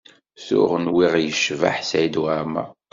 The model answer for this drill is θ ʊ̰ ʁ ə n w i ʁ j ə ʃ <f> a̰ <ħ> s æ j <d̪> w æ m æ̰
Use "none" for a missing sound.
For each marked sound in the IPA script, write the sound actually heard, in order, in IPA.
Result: v, ħ, d̪

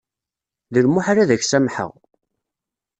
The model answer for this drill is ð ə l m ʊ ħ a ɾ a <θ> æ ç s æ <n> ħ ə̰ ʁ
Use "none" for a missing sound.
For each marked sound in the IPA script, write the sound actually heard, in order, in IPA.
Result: ð, m

